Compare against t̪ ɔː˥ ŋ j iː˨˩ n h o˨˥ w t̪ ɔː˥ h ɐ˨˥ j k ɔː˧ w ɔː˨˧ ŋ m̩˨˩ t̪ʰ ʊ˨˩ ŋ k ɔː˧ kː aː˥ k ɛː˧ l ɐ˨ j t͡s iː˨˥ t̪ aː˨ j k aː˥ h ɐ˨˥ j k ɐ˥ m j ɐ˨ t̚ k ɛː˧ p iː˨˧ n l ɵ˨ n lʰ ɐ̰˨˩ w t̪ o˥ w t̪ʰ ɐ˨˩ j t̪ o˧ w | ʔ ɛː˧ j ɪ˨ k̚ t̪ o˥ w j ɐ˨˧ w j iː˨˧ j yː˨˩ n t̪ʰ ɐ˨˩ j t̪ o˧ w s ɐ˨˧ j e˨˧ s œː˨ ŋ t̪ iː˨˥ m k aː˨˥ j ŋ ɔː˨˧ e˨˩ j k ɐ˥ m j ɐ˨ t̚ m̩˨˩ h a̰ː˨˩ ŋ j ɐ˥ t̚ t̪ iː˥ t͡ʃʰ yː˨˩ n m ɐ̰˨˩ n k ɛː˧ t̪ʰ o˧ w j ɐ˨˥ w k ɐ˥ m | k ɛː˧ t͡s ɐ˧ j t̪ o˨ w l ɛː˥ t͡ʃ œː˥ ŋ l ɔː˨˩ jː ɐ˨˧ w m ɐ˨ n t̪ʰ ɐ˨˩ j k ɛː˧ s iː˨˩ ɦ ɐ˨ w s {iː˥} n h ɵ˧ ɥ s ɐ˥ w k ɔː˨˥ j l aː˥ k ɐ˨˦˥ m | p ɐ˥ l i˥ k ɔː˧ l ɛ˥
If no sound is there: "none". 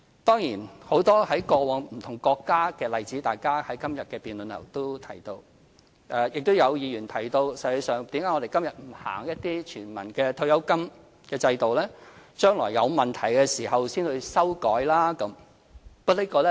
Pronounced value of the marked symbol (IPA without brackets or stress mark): iː˥